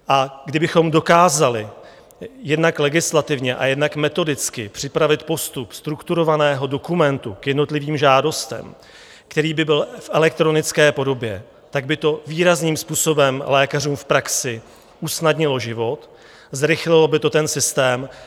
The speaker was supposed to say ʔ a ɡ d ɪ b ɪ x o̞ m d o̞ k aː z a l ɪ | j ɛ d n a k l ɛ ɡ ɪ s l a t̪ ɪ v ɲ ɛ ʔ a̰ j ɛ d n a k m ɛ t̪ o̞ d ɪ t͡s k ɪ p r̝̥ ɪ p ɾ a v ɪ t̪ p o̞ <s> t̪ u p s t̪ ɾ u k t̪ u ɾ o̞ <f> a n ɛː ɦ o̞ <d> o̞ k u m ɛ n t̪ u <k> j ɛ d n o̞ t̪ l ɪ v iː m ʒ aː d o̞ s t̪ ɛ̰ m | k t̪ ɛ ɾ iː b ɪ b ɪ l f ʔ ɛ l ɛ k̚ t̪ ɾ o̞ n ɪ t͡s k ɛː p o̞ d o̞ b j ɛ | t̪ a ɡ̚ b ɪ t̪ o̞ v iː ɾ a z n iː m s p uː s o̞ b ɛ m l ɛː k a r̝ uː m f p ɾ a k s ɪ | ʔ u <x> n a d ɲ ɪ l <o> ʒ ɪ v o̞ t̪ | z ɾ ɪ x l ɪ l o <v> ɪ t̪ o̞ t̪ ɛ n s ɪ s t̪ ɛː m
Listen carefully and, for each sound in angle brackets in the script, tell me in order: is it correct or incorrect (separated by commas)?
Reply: correct, incorrect, correct, correct, incorrect, correct, incorrect